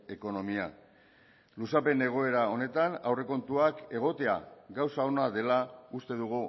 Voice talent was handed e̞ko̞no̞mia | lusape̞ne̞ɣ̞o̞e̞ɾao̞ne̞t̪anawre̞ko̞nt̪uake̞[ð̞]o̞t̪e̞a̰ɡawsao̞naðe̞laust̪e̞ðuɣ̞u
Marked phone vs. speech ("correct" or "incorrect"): incorrect